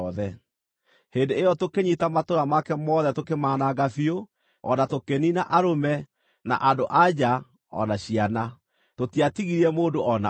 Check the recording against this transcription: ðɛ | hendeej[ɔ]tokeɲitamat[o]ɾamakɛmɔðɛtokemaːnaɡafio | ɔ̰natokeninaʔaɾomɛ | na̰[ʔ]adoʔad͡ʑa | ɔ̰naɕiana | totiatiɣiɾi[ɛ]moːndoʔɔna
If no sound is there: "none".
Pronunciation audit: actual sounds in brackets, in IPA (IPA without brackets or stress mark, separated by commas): ɔ, o, ʔ, ɛ